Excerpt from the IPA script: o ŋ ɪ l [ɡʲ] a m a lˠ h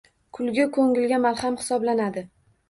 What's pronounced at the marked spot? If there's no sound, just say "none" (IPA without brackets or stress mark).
ɡʲ